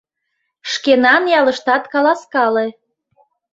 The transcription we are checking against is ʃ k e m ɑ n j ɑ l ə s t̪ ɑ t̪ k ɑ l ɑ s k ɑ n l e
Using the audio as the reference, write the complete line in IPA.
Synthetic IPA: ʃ k e n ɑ n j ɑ l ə ʃ t̪ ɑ t̪ k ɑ l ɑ s k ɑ l e